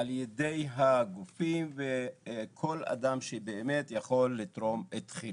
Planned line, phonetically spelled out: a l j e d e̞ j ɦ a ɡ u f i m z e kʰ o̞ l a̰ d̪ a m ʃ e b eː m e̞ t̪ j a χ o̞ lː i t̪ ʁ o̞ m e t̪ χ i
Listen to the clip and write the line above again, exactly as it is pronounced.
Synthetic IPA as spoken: a l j e d e̞ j ɦ a ɡ u f i m v e kʰ o̞ l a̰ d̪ a m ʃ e b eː m e̞ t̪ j a χ o̞ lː i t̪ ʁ o̞ m e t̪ χ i

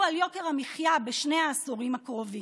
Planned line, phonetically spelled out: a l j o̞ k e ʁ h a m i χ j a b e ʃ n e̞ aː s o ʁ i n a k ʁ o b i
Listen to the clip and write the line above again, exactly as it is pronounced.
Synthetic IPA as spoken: a l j o̞ k e ʁ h a m i χ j a b e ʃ n e̞ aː s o ʁ i m a k ʁ o v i

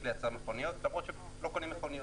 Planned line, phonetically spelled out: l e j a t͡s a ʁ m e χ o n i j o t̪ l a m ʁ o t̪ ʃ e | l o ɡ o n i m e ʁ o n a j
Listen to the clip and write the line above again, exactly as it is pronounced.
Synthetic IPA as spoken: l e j a t͡s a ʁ m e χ o n i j o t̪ l a m ʁ o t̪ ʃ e | l o k o n i m e χ o n i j

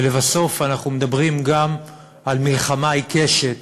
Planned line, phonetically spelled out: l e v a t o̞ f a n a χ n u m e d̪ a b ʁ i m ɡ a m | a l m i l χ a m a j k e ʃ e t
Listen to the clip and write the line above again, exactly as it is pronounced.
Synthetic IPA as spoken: l e v a s o̞ f a n a χ n u m e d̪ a b ʁ i m ɡ a m | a l m i l χ a m a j k e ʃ e t

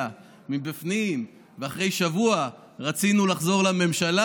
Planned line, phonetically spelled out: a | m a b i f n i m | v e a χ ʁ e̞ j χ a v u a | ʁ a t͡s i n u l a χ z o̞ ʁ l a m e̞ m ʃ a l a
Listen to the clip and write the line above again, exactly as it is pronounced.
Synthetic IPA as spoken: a | m i b i f n i m | v e a χ ʁ e̞ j ʃ a v u a | ʁ a t͡s i n u l a χ z o̞ ʁ l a m e̞ m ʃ a l a

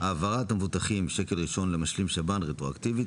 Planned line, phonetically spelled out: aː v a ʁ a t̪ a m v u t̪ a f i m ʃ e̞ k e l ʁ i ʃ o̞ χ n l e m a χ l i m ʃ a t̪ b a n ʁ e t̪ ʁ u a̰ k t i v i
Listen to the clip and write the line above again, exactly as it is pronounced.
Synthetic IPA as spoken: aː v a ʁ a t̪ a m v u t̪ a χ i m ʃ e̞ k e l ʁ i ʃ o̞ n l e m a ʃ l i m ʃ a b a n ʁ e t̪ ʁ o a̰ k t i v i

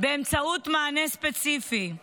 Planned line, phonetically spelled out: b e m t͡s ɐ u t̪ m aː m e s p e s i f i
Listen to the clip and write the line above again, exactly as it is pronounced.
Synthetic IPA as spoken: b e m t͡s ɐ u t̪ m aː n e s p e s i f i

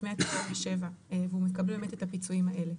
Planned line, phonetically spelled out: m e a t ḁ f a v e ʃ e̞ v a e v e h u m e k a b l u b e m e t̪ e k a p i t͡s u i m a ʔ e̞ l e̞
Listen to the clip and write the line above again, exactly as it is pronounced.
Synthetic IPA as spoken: m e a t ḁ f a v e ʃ e̞ v a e v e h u m e k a b l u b e m e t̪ e t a p i t͡s u i m a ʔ e̞ l e̞

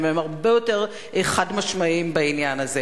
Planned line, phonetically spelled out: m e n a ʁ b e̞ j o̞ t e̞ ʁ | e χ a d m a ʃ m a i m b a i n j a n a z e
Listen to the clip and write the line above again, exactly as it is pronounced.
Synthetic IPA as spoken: m e m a ʁ b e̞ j o̞ t e̞ ʁ | e χ a d m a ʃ m a i m b a i n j a n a z e

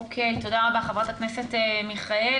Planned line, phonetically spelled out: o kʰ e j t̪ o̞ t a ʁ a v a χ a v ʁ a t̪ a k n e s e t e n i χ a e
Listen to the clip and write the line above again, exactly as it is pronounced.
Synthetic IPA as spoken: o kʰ e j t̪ o̞ d a ʁ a b a χ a v ʁ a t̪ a k n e s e t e m i χ a e

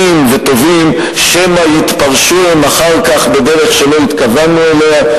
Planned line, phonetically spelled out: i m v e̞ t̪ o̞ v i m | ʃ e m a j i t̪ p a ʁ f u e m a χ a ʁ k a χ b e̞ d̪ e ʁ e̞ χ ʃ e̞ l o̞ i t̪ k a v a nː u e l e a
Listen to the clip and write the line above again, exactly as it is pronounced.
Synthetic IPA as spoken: i m v e̞ t̪ o̞ v i m | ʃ e m a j i t̪ p a ʁ ʃ u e m a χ a ʁ k a χ b e̞ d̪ e ʁ e̞ χ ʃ e̞ l o̞ i t̪ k a v a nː u e l e a

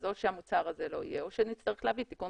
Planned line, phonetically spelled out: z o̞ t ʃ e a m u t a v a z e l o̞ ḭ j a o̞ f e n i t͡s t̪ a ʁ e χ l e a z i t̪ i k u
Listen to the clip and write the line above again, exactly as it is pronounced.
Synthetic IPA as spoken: z o̞ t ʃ e a m u t͡s a ʁ a z e l o̞ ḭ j e o̞ ʃ e n i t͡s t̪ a ʁ e χ l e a v i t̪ i k u

